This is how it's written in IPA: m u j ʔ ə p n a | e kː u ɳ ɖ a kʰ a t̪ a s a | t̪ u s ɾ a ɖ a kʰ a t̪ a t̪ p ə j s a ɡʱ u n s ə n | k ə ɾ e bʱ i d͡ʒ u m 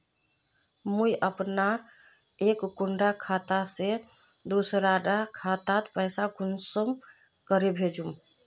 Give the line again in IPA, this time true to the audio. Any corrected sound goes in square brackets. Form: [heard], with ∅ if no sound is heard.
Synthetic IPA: m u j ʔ ə p n a | e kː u ɳ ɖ a kʰ a t̪ a s [e] | [d̪] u s ɾ a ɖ a kʰ a t̪ a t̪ p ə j s a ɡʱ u n s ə [m] | k ə ɾ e bʱ [e] d͡ʒ u m